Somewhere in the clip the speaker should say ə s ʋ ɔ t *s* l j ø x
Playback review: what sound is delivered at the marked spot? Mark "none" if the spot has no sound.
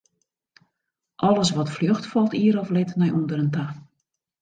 f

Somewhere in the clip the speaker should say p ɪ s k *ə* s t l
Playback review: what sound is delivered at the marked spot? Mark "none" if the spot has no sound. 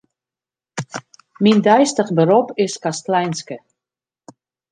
a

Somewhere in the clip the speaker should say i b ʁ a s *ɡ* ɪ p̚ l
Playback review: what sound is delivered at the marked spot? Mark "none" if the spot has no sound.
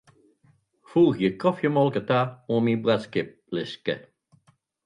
k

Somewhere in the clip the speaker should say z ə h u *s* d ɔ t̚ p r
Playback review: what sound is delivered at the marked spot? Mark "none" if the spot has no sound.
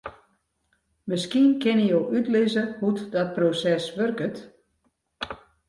t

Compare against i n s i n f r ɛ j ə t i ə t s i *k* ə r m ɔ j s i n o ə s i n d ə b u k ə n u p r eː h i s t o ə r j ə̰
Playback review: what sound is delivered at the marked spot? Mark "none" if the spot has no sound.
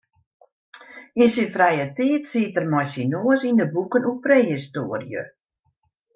t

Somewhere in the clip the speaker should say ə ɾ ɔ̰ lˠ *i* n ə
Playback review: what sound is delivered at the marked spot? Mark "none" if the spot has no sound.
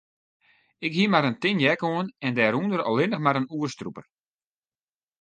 ɪ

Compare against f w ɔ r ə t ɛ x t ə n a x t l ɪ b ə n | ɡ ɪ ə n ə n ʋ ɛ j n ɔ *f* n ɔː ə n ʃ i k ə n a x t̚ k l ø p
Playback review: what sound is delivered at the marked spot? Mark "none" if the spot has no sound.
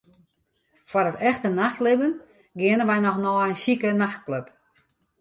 x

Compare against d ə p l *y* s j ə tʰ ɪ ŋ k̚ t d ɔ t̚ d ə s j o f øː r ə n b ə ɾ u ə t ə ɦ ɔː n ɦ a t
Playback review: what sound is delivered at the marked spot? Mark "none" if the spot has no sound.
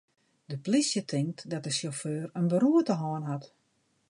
i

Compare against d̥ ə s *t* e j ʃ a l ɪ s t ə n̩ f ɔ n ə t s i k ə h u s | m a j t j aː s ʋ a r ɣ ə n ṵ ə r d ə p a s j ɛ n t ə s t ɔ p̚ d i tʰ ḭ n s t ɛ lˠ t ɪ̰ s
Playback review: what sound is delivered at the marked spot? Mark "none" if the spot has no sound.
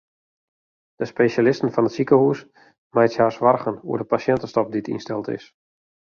p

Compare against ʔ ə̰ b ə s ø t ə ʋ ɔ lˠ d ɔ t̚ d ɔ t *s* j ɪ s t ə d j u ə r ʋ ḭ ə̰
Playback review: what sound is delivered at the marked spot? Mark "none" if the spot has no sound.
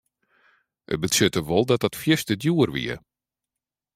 f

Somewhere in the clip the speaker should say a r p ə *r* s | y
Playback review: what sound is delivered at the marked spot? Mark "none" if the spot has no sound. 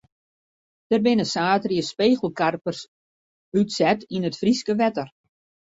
r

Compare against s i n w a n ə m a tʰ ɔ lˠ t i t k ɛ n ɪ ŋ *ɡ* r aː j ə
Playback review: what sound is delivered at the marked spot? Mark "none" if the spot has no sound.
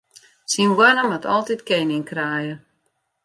k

